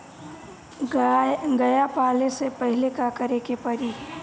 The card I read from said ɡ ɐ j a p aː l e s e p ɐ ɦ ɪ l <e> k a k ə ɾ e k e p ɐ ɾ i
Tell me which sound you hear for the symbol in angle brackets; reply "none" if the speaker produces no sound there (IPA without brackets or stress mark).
e